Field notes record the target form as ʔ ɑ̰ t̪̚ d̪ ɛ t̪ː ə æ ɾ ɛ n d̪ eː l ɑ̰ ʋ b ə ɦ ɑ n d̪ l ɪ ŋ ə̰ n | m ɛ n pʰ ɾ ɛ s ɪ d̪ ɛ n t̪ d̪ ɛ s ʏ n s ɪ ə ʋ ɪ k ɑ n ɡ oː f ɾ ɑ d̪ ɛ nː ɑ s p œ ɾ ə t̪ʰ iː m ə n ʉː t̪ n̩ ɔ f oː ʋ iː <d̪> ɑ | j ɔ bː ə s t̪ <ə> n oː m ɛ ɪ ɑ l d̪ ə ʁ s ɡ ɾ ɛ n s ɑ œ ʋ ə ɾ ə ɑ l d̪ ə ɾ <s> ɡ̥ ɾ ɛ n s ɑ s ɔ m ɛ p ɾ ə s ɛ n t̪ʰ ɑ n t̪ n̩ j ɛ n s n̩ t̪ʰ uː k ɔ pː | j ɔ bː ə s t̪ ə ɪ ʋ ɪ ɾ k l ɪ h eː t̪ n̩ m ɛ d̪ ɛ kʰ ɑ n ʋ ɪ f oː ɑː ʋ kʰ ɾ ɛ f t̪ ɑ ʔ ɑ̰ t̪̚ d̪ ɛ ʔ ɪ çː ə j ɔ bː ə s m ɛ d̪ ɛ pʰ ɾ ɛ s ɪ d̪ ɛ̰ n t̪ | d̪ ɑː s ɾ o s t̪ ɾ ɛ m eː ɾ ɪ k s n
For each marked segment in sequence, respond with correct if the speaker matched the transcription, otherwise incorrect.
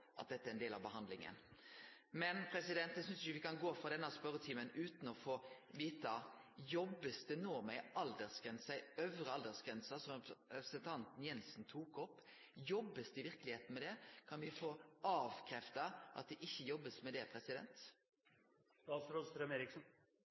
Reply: incorrect, correct, correct

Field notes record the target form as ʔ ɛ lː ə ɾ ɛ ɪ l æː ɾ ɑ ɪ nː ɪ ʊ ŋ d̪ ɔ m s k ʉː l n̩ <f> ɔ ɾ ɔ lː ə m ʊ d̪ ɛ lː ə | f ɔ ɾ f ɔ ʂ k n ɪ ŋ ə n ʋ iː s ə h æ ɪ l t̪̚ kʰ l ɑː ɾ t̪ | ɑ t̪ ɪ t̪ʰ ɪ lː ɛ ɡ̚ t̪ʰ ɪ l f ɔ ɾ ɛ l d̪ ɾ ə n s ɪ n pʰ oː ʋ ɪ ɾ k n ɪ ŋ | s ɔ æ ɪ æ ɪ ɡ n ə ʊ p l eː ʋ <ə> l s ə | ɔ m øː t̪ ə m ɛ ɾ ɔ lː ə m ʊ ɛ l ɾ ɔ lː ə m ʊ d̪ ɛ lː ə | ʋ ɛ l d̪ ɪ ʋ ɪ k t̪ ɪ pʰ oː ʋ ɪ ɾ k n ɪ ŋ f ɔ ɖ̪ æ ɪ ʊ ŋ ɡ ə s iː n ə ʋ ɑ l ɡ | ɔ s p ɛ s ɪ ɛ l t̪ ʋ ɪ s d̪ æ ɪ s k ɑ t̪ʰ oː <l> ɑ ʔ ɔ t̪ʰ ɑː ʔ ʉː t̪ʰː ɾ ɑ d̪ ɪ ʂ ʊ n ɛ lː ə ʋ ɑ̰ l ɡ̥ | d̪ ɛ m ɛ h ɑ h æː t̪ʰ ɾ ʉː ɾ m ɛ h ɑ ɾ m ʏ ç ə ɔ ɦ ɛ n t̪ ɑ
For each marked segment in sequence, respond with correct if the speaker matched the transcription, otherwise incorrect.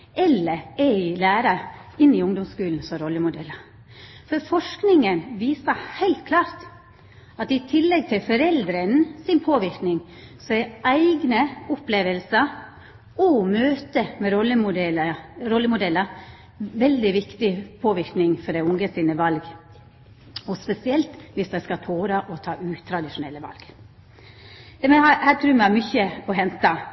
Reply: incorrect, correct, incorrect

